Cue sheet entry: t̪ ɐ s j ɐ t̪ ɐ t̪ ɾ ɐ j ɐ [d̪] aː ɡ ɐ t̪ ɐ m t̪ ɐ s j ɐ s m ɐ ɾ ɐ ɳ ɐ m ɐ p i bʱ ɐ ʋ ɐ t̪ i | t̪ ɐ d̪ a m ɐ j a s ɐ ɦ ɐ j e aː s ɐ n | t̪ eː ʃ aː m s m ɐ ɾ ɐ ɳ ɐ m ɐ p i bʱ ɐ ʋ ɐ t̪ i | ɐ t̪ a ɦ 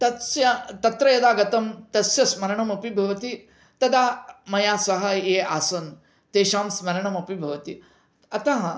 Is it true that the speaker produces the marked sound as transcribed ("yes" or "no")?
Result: yes